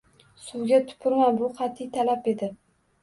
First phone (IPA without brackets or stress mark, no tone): s